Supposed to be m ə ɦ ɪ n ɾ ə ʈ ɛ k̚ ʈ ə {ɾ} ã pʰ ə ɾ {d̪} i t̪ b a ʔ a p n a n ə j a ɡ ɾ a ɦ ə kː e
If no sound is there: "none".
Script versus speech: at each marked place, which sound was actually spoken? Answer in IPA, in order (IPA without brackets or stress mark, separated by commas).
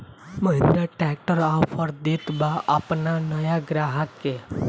ɾ, d̪